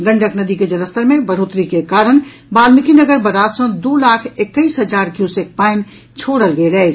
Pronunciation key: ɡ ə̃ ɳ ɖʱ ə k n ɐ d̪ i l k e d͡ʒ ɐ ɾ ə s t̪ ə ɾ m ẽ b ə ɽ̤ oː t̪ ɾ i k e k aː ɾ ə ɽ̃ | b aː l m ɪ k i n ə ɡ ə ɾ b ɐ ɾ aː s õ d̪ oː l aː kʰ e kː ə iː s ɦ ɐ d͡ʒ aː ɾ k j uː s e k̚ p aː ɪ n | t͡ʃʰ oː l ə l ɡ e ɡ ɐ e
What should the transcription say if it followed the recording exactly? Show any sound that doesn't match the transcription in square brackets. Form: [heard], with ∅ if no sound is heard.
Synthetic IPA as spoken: ɡ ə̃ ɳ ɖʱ ə k n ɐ d̪ i [∅] k e d͡ʒ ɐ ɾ ə s t̪ ə ɾ m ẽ b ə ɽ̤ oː t̪ ɾ i k e k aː ɾ ə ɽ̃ | b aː l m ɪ k i n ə ɡ ə ɾ b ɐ ɾ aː s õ d̪ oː l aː kʰ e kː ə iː s ɦ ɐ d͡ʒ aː ɾ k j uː s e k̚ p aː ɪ n | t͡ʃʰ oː [ɽ] ə l ɡ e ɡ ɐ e